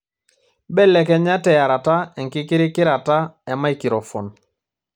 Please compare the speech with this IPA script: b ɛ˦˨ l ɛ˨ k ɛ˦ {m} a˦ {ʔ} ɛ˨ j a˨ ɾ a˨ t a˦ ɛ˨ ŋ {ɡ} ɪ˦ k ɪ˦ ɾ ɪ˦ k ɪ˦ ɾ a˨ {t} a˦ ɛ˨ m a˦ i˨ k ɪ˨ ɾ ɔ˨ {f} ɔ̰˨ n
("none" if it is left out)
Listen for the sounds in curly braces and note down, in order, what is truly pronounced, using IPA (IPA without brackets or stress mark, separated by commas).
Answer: ɲ, t, k, t, f